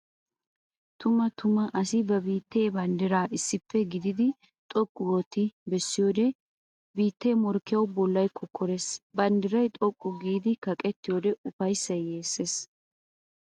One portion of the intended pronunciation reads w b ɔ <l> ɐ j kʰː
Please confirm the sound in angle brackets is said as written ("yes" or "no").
no